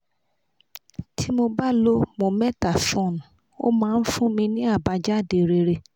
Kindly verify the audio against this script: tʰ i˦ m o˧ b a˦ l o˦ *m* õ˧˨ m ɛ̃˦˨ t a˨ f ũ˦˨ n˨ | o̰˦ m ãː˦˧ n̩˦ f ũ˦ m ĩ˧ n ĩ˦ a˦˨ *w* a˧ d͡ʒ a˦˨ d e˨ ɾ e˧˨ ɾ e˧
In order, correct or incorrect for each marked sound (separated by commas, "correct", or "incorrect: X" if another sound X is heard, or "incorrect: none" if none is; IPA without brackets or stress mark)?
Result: correct, incorrect: b